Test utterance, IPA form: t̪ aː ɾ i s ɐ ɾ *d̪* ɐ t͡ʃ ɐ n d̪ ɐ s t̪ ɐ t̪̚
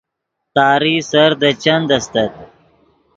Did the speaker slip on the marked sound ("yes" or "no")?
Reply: no